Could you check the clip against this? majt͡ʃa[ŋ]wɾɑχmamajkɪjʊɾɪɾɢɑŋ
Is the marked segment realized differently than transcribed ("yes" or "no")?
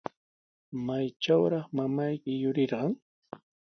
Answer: yes